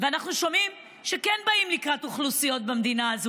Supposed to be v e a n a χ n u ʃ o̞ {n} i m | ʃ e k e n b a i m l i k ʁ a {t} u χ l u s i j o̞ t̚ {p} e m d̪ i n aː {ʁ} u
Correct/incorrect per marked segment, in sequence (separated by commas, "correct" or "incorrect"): incorrect, correct, incorrect, incorrect